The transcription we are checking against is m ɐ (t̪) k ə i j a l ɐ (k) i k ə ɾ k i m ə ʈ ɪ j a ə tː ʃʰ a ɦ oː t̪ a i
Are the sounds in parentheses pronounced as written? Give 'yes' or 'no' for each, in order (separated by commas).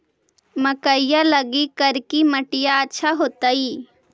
no, no